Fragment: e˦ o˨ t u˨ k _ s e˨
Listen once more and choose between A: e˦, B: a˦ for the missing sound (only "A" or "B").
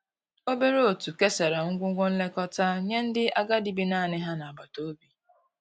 A